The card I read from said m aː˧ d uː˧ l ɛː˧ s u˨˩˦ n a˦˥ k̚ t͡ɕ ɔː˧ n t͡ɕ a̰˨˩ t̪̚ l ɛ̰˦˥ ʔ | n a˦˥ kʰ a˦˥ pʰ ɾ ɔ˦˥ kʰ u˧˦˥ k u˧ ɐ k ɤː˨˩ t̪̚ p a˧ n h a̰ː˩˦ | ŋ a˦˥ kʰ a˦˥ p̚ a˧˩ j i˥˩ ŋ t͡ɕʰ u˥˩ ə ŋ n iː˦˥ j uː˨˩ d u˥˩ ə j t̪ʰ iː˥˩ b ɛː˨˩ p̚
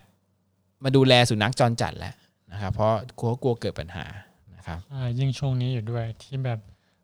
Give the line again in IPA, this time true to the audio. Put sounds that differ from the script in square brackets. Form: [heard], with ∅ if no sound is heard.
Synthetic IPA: m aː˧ d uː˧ l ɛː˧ s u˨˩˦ n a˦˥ k̚ t͡ɕ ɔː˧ n t͡ɕ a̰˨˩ t̪̚ l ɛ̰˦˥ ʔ | n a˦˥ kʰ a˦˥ pʰ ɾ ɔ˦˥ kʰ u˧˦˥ k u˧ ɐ k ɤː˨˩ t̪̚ p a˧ n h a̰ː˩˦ | [n] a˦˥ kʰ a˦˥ p̚ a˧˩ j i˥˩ ŋ t͡ɕʰ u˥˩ ə ŋ n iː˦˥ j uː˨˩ d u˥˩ ə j t̪ʰ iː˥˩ b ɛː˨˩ p̚